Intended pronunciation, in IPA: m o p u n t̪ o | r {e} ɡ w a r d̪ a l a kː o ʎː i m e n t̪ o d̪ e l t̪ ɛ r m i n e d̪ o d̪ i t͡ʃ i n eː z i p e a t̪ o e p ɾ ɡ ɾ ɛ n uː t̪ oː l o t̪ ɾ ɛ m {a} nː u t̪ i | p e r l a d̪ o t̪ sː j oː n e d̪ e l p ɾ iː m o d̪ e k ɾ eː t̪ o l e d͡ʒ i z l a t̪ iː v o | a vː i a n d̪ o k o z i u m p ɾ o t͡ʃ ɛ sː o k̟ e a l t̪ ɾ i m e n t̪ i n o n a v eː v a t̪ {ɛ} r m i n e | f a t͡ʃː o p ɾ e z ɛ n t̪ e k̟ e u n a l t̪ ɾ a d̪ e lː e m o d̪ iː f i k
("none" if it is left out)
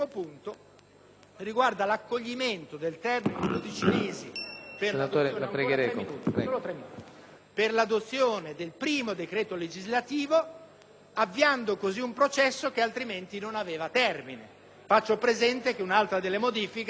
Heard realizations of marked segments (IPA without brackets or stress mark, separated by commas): i, i, ɛ